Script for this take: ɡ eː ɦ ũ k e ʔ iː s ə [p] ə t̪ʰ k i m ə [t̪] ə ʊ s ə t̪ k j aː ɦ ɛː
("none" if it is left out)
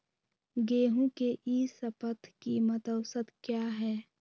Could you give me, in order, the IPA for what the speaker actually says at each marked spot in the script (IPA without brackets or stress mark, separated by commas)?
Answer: p, t̪